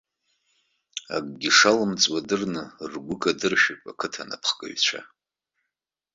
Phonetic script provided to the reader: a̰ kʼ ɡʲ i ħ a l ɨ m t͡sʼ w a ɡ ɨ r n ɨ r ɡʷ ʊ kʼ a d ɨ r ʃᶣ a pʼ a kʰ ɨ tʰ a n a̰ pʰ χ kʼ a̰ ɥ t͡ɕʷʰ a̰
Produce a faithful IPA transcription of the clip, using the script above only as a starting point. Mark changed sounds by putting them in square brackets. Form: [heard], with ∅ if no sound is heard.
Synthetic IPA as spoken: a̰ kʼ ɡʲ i [ʂ] a l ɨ m t͡sʼ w a [d] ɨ r n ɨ r ɡʷ ʊ kʼ a d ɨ r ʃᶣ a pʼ a kʰ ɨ tʰ a n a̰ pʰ χ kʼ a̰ ɥ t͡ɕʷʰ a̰